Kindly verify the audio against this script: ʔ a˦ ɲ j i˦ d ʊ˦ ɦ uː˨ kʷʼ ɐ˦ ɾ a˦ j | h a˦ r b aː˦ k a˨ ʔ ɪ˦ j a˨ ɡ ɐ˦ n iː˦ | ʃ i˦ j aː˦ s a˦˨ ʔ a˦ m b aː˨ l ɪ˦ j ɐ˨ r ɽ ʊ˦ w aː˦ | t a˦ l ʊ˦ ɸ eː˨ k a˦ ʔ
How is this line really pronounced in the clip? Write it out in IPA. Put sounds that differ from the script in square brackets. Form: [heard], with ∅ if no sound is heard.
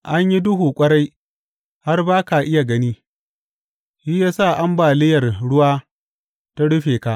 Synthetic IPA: ʔ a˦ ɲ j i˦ d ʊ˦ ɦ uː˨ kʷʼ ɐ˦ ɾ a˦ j | h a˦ r b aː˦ k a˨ ʔ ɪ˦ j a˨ ɡ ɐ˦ n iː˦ | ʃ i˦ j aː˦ s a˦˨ ʔ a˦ m b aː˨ l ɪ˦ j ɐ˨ r ɽ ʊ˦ w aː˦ | t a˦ [ɽ] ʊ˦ ɸ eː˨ k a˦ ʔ